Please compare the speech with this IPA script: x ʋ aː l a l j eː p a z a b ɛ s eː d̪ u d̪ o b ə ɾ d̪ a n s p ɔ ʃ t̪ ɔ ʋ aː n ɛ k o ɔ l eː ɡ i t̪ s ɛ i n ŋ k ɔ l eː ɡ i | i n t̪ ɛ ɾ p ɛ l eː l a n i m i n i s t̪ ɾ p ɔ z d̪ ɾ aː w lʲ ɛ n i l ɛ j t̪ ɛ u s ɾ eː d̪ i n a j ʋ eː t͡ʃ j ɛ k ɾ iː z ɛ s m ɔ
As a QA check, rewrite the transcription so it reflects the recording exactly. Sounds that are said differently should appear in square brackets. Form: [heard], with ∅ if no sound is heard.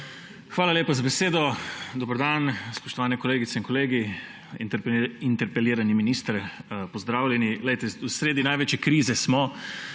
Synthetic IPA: x ʋ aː l a l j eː p a z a b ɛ s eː d̪ [ɔ] d̪ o b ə ɾ d̪ a n s p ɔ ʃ t̪ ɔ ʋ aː n ɛ k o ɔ l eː ɡ i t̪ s ɛ i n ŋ k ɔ l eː ɡ i | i n t̪ ɛ ɾ p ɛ l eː [ɾ] a n i m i n i s t̪ ɾ p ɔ z d̪ ɾ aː w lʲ ɛ n i l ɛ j t̪ ɛ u s ɾ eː d̪ i n a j ʋ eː t͡ʃ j ɛ k ɾ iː z ɛ s m ɔ